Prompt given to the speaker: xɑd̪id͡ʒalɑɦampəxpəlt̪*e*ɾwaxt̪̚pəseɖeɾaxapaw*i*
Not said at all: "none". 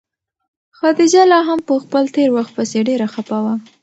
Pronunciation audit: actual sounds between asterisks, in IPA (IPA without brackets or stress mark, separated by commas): e, a